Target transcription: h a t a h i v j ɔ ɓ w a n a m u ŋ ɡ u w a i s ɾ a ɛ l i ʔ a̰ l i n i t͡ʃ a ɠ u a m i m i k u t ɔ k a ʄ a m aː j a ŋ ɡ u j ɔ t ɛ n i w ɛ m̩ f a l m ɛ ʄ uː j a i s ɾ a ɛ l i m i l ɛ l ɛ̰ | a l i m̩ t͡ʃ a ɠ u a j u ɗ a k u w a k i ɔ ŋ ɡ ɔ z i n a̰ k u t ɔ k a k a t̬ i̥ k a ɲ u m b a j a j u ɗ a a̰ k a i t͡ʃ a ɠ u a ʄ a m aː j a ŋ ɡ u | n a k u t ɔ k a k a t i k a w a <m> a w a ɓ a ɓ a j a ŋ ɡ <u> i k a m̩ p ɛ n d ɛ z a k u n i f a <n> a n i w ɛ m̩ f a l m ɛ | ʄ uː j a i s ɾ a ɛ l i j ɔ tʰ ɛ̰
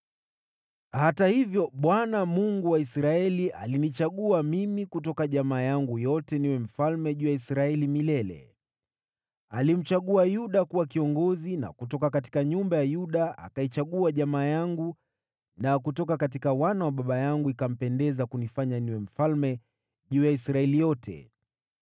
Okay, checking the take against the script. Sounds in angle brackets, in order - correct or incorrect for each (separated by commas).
incorrect, correct, incorrect